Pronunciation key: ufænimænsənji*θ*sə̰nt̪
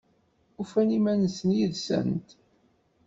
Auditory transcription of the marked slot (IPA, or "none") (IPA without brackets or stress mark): ð